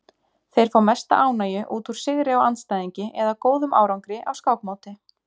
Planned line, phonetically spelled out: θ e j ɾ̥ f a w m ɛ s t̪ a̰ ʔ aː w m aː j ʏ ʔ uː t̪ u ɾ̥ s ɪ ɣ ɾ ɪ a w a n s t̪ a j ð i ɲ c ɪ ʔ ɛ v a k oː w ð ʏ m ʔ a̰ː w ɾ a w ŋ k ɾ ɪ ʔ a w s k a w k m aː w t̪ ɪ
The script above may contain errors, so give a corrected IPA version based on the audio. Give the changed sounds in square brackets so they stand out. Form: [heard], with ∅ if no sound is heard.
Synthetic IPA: θ e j ɾ̥ f a w m ɛ s t̪ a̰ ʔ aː w [n] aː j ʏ ʔ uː t̪ u ɾ̥ s ɪ ɣ ɾ ɪ a w a n s t̪ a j ð i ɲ c ɪ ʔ ɛ [ð] a k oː w ð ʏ m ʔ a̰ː w ɾ a w ŋ k ɾ ɪ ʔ a w s k a w k m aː w t̪ ɪ